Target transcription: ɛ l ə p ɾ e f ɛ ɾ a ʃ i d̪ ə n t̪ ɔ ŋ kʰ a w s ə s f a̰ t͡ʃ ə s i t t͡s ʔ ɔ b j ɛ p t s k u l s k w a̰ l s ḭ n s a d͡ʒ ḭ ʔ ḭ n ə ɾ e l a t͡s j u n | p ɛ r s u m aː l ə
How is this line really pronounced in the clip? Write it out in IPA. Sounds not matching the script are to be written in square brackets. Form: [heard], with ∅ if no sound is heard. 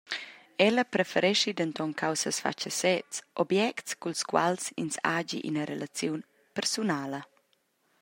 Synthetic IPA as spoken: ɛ l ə p ɾ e f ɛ ɾ [ɛ] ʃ i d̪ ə n t̪ ɔ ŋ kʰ a w s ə s f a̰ t͡ʃ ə s [ɛ] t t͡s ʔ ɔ b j ɛ [k] t s k u l s k w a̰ l s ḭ n s a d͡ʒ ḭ ʔ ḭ n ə ɾ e l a t͡s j u n | p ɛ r s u [n] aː l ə